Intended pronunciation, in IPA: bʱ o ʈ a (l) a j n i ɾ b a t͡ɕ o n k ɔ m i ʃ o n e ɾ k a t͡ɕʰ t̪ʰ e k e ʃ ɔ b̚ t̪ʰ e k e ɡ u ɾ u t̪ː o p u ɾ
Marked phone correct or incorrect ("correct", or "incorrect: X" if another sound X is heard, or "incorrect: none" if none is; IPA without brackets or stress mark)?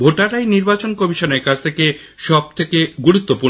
incorrect: ɾ